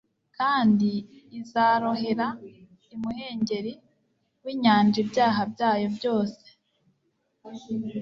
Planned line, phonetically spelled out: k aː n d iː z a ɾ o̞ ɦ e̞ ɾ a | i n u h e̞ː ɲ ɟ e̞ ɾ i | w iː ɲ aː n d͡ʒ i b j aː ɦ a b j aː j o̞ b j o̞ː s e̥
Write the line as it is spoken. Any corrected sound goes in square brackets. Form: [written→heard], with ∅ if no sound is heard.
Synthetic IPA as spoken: k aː n d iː z a ɾ o̞ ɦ e̞ ɾ a | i [n→m] u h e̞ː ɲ ɟ e̞ ɾ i | w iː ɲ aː n d͡ʒ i b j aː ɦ a b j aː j o̞ b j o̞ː s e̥